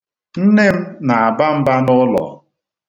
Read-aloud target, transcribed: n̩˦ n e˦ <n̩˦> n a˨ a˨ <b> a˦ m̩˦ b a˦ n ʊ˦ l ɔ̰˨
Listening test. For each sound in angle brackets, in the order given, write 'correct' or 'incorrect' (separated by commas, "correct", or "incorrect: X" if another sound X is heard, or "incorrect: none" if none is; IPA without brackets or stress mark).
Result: incorrect: m̩˦, correct